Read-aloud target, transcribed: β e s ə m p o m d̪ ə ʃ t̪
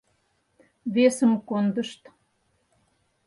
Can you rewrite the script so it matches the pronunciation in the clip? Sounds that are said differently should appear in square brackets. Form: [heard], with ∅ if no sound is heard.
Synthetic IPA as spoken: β e s ə m [k] o [n] d̪ ə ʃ t̪